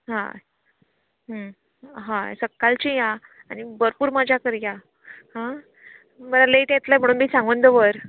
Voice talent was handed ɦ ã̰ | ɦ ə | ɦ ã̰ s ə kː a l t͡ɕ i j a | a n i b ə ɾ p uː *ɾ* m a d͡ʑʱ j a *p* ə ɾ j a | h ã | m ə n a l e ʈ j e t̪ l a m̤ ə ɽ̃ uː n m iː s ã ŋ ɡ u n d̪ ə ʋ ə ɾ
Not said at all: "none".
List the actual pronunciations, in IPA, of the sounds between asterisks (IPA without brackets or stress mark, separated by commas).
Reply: ɾ, k